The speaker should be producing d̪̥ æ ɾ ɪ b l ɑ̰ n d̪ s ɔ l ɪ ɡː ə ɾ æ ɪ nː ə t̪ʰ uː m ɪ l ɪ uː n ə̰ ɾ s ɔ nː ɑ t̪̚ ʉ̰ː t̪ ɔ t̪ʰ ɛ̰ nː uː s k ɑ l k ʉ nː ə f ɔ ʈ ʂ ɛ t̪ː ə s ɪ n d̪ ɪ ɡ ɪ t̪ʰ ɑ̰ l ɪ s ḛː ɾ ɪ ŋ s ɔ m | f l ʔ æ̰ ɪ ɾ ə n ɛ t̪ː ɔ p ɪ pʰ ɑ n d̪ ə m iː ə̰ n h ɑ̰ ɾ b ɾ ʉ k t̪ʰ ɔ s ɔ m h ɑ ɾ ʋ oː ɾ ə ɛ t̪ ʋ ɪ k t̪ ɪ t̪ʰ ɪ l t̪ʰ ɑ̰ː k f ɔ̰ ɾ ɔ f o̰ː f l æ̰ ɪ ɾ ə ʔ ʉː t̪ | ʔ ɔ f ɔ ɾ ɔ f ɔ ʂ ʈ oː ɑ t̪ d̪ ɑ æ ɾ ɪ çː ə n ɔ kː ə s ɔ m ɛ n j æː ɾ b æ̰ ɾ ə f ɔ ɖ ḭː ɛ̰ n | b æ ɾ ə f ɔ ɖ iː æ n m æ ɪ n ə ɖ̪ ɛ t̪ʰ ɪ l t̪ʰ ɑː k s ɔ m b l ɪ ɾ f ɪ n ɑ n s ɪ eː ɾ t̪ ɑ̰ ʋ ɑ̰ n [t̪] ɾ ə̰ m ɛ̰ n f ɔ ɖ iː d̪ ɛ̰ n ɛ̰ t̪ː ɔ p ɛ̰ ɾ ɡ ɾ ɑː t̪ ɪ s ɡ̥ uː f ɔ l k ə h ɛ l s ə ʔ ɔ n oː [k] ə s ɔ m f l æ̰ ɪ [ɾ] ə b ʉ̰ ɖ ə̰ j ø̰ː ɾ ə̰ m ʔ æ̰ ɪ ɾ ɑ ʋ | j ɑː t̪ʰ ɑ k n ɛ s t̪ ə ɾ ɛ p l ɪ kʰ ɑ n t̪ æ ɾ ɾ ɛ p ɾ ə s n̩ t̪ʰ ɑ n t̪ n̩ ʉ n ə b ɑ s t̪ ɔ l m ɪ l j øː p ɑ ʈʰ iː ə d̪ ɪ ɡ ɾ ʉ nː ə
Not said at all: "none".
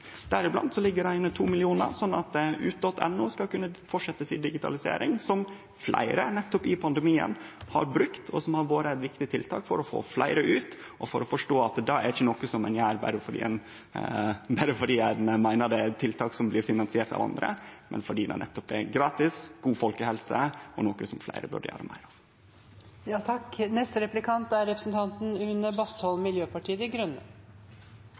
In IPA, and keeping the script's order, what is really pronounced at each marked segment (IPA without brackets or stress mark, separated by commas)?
d̪, k, ɾ